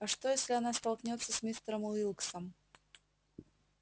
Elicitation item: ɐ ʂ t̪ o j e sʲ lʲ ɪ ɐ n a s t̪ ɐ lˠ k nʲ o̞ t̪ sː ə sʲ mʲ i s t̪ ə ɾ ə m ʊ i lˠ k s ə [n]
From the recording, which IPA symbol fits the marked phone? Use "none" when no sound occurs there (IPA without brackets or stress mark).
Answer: m